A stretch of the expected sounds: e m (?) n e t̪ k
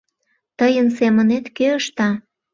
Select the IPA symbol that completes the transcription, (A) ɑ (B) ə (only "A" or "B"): B